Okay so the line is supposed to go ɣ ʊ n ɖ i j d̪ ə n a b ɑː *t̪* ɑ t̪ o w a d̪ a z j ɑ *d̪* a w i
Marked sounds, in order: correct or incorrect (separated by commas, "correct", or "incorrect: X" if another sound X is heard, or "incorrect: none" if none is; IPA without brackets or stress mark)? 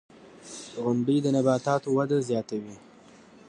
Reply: correct, incorrect: t̪